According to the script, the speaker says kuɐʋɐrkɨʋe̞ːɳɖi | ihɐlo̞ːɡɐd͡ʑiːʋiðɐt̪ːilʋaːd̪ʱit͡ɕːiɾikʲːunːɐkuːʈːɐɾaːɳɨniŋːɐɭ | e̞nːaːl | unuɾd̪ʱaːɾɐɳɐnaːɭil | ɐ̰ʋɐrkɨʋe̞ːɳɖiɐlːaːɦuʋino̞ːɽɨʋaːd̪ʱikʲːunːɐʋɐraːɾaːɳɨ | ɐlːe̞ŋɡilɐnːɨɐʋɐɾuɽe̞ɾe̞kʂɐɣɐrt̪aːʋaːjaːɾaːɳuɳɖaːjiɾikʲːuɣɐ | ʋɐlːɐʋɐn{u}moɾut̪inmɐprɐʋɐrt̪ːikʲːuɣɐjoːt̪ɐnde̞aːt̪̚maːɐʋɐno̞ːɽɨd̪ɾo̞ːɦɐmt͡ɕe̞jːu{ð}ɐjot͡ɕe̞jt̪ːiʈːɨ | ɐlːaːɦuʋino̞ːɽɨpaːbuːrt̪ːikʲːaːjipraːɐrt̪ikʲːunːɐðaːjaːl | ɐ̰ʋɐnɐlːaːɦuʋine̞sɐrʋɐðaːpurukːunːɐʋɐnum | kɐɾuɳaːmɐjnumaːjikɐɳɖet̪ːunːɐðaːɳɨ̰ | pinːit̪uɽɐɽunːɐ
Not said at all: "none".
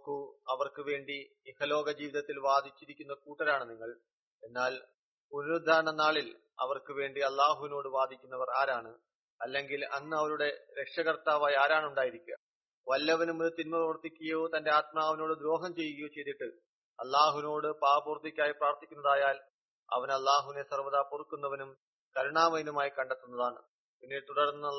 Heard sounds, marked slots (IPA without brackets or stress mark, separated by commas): u, ɣ